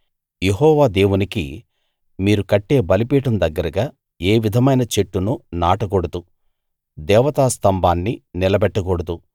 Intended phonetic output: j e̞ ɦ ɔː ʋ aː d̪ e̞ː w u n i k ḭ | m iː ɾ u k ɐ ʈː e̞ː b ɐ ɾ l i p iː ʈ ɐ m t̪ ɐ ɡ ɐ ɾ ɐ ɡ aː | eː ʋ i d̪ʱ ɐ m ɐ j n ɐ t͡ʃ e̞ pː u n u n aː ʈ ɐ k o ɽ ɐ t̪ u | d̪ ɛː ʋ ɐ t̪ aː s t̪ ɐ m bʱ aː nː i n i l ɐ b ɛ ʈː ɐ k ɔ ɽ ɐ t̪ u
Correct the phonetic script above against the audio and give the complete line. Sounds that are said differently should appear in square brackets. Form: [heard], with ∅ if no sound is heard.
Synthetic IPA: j e̞ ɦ ɔː ʋ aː d̪ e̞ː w u n i k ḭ | m iː ɾ u k ɐ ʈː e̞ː b ɐ [∅] l i p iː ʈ ɐ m [d̪] ɐ [ɡː] ɐ ɾ ɐ ɡ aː | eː ʋ i d̪ʱ ɐ m ɐ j n ɐ t͡ʃ e̞ [ʈː] u n u n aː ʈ ɐ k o ɽ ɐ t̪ u | d̪ ɛː ʋ ɐ t̪ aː s t̪ ɐ m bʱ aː nː i n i l ɐ b ɛ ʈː ɐ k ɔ ɽ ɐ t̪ u